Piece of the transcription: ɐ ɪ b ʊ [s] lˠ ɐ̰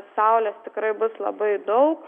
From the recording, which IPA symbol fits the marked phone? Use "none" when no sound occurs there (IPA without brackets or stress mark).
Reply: s